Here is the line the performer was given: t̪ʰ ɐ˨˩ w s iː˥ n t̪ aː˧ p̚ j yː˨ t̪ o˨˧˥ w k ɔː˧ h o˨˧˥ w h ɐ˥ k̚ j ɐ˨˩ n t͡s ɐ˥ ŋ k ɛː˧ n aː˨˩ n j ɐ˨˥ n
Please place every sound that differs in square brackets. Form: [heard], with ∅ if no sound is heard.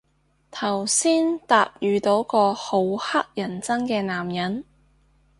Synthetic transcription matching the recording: t̪ʰ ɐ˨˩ w s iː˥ n t̪ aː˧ p̚ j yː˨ t̪ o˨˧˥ w k ɔː˧ h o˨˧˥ w h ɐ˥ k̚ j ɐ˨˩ n t͡s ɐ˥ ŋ k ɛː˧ n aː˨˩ [m] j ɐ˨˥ n